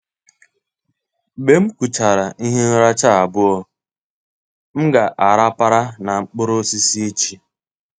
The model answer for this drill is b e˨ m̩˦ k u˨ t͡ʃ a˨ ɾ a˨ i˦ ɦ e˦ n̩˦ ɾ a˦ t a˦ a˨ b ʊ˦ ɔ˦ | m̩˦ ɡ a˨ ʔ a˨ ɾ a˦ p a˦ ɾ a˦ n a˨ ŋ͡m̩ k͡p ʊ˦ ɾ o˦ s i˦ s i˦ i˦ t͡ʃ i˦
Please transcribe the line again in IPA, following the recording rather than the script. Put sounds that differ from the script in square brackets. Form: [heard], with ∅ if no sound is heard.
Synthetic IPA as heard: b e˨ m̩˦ k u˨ t͡ʃ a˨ ɾ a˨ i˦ ɦ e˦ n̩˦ ɾ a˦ [t͡ʃ] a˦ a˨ b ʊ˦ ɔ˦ | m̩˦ ɡ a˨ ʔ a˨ ɾ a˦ p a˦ ɾ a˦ n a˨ ŋ͡m̩ k͡p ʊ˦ ɾ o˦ s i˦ s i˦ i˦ t͡ʃ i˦